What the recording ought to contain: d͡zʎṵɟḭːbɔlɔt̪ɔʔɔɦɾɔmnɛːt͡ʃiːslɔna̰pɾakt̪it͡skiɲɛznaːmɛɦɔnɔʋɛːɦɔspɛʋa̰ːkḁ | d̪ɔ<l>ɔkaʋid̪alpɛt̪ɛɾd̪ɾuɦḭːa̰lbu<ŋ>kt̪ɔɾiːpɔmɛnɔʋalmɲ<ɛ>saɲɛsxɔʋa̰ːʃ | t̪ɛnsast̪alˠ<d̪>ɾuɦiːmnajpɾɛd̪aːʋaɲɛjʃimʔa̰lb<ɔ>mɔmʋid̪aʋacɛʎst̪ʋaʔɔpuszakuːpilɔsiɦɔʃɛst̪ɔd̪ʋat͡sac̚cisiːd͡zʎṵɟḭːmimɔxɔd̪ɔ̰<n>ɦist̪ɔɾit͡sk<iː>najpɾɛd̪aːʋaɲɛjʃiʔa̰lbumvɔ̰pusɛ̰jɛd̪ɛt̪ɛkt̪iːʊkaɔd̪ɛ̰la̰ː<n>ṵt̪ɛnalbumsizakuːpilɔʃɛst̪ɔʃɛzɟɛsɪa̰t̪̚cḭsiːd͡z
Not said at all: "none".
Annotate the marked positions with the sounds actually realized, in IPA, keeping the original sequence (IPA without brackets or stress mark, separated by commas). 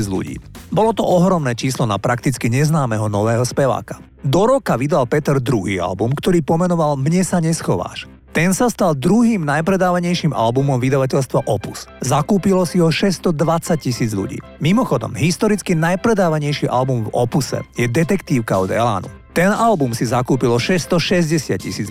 ɾ, m, ɛ, d̪, u, m, i, n